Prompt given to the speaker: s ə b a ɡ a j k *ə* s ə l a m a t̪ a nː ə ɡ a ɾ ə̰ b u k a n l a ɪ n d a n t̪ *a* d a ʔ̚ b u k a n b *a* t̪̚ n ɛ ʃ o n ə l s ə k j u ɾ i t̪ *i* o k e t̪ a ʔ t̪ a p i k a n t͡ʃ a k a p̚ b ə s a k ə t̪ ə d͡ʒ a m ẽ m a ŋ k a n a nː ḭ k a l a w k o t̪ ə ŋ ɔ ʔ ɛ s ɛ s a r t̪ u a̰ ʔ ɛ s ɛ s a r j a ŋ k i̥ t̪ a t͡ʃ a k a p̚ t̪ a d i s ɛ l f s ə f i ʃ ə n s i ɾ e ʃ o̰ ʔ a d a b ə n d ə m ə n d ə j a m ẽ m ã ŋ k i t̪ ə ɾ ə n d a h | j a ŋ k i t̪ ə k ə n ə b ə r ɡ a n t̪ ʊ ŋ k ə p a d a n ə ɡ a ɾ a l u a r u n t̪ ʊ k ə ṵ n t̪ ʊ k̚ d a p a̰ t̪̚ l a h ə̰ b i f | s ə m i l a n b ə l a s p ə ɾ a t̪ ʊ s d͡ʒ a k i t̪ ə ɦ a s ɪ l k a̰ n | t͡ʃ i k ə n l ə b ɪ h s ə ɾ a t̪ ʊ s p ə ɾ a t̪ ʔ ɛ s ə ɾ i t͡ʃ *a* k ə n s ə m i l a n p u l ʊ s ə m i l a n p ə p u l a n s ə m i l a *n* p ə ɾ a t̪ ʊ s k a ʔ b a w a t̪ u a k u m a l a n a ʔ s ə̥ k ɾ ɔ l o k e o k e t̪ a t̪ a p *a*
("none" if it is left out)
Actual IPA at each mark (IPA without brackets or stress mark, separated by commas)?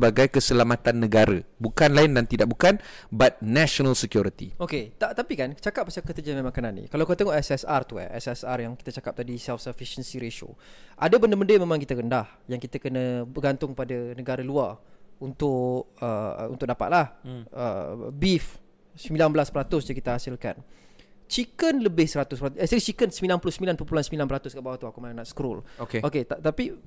ə, i, a, i, i, n, i